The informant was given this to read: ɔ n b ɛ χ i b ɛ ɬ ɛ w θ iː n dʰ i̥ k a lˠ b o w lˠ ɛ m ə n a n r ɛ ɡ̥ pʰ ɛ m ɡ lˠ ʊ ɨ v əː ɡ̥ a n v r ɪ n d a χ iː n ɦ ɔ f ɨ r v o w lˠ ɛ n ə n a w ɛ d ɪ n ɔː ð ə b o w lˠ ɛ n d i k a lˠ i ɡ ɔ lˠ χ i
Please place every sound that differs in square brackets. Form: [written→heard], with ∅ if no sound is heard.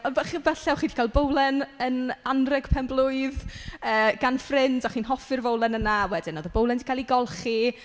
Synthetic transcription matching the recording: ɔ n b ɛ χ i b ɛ ɬ ɛ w [θ→χ] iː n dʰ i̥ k a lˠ b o w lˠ ɛ [m→n] ə n a n r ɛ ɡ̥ pʰ ɛ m [ɡ→b] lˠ ʊ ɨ [v→ð] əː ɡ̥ a n [v→f] r ɪ n d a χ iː n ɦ ɔ f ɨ r v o w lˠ ɛ n ə n a w ɛ d ɪ n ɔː ð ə b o w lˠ ɛ n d i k a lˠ i ɡ ɔ lˠ χ i